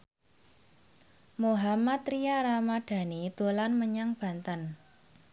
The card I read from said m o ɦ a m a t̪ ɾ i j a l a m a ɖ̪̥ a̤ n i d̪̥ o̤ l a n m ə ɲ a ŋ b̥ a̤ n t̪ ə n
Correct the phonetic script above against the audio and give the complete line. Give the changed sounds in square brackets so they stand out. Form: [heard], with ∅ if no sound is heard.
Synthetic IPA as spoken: m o ɦ a m a t̪ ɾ i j a [ɾ] a m a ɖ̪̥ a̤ n i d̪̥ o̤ l a n m ə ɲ a ŋ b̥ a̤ n t̪ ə n